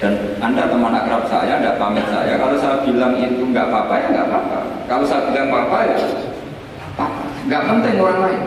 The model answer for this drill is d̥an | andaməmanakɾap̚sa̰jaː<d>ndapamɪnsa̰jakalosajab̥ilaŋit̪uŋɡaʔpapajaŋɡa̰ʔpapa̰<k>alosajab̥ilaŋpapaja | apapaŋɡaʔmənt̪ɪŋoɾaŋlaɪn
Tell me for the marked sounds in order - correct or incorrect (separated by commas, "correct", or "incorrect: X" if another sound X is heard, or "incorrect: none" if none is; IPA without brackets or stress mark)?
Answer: incorrect: none, correct